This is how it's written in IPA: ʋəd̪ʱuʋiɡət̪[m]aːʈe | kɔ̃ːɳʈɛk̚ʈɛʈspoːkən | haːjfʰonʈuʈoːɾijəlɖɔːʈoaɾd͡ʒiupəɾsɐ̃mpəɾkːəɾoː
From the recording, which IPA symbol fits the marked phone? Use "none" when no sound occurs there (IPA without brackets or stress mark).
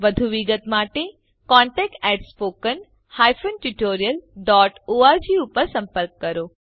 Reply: m